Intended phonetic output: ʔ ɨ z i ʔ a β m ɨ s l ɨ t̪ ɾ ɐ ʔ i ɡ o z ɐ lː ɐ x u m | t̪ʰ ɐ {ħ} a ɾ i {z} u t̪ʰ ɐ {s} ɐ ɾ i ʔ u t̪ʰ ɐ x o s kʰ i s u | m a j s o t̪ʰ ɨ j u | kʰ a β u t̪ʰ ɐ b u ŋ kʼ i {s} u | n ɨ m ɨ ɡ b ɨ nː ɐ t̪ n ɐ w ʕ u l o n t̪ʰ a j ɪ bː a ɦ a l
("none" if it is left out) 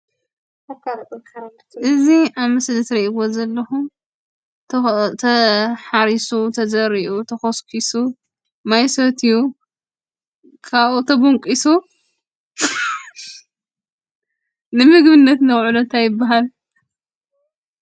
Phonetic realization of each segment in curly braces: ħ, s, z, s

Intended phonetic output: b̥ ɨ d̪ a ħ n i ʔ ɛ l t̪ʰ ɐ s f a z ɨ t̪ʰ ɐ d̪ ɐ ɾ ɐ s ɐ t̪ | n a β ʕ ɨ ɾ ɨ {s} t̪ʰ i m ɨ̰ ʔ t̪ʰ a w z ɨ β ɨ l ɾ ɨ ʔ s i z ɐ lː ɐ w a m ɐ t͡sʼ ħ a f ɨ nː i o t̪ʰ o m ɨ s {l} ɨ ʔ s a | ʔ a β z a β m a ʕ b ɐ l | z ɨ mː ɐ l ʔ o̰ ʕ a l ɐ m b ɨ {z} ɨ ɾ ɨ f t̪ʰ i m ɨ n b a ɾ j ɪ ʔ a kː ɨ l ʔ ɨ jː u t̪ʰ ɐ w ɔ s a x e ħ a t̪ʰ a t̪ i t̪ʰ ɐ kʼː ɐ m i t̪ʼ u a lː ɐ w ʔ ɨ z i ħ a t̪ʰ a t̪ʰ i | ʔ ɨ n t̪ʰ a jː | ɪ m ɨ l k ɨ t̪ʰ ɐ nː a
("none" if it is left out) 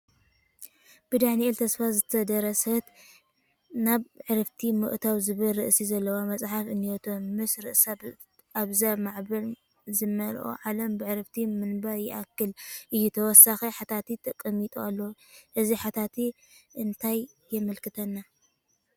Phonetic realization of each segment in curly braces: f, ɾ, ʕ

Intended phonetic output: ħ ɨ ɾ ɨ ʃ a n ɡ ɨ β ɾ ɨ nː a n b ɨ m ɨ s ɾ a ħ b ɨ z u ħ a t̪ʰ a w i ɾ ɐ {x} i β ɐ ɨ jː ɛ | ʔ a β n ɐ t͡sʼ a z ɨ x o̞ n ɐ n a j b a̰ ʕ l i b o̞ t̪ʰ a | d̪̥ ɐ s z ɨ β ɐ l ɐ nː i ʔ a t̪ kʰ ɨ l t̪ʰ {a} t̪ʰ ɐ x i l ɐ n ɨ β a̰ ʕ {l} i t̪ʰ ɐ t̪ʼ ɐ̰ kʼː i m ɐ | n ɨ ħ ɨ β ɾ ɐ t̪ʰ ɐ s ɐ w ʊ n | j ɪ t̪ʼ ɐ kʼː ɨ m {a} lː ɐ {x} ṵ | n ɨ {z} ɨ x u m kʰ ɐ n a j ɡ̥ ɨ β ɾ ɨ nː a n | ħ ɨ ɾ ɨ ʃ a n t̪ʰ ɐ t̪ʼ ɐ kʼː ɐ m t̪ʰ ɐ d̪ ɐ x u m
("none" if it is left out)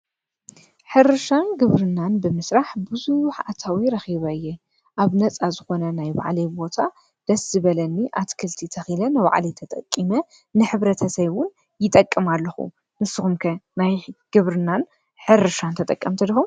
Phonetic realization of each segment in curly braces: x, i, l, a, x, s

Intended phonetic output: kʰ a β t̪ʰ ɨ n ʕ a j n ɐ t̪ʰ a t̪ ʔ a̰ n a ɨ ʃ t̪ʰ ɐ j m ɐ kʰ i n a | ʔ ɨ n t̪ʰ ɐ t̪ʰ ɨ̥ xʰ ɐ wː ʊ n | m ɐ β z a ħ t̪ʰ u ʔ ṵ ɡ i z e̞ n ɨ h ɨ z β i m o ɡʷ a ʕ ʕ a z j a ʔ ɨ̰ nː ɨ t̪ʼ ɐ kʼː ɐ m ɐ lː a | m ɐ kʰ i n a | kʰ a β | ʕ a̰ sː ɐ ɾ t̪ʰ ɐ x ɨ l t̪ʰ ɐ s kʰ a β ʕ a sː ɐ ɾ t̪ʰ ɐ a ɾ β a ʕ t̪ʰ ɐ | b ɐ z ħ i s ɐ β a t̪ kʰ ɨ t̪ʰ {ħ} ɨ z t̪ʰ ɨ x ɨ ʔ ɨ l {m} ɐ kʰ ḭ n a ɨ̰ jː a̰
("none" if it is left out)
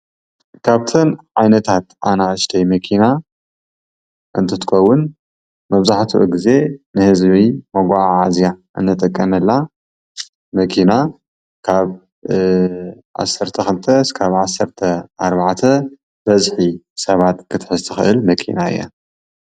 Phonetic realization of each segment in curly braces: ħ, m

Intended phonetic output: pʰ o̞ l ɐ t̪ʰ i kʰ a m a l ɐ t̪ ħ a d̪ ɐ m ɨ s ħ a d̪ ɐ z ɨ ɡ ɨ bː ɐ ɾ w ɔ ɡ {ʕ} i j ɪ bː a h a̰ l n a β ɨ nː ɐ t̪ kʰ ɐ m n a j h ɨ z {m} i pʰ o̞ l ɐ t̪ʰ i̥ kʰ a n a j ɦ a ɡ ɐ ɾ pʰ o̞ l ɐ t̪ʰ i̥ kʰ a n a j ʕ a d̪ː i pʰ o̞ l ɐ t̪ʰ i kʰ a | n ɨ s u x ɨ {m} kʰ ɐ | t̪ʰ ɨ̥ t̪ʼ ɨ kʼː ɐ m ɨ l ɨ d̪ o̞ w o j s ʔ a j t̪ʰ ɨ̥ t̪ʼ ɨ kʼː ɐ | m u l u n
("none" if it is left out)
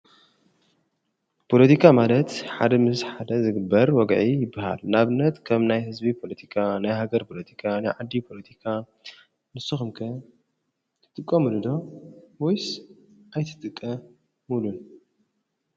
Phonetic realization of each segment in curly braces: ʕ, b, m

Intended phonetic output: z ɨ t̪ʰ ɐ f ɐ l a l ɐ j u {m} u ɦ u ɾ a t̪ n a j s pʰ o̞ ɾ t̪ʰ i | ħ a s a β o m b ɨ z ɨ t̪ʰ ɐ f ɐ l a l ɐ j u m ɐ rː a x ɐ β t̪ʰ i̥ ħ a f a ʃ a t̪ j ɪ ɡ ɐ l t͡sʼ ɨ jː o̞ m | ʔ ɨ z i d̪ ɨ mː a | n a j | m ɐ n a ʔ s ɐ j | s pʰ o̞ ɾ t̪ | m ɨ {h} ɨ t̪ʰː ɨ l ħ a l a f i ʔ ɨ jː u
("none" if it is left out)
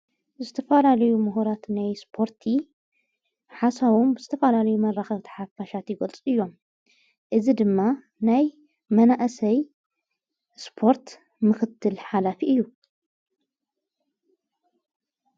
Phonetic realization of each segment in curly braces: m, x

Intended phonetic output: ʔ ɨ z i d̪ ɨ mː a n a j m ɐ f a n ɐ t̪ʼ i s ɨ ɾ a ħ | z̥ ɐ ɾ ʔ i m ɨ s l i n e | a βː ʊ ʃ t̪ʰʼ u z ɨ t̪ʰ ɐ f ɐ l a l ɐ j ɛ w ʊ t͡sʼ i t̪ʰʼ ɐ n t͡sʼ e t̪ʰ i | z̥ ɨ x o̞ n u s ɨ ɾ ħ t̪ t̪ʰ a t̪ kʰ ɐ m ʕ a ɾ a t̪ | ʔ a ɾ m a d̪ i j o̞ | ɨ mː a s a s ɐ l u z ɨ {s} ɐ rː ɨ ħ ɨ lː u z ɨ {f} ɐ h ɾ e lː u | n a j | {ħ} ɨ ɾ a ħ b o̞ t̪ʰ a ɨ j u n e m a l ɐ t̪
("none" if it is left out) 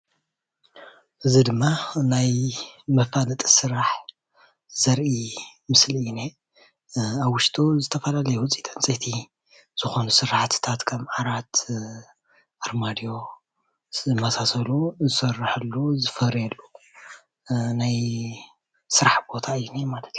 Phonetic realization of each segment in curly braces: s, f, s

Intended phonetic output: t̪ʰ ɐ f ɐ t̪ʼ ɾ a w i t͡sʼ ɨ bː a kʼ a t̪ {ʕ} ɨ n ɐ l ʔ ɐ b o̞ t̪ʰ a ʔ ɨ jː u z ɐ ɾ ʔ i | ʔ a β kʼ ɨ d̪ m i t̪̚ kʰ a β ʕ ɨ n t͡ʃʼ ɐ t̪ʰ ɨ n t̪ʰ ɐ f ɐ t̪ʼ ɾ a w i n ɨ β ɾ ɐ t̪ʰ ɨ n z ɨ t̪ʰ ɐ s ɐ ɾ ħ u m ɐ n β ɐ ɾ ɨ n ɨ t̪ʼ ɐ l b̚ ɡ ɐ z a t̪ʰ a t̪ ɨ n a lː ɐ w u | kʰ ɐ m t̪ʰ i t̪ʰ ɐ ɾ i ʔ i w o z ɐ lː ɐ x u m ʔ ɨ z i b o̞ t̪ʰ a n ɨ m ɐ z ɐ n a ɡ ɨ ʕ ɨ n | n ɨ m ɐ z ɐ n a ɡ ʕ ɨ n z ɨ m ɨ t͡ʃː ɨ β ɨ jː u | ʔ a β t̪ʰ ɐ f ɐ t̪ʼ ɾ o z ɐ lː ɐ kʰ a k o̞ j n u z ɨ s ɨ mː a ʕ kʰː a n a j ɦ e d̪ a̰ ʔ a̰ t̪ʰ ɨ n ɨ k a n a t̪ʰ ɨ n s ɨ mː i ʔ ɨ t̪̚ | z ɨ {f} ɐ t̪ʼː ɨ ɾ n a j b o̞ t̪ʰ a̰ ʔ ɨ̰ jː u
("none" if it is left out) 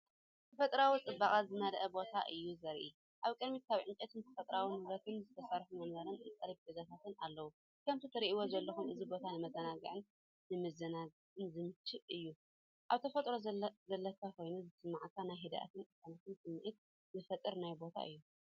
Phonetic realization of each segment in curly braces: z, f

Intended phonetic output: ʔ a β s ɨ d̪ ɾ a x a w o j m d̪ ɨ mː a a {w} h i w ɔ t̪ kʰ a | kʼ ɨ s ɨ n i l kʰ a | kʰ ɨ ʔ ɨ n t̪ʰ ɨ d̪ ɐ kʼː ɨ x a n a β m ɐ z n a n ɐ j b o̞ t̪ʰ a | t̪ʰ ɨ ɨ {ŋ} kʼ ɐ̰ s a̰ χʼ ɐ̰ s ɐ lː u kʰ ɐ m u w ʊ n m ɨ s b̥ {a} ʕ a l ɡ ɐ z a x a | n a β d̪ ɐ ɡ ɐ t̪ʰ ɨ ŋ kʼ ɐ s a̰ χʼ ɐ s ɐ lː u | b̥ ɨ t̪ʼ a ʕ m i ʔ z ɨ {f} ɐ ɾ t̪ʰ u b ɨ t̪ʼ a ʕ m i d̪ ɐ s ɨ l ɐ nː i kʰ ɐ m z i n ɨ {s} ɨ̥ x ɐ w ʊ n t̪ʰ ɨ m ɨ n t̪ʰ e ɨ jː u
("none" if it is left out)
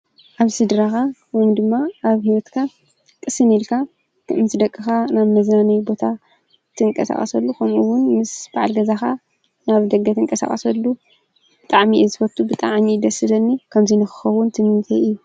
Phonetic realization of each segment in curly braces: β, ŋ, a, f, x

